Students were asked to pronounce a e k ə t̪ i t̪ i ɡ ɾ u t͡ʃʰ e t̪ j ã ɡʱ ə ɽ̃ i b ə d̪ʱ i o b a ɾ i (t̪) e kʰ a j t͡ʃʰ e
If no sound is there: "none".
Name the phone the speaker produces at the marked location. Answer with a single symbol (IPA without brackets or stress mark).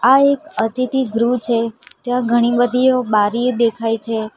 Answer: d̪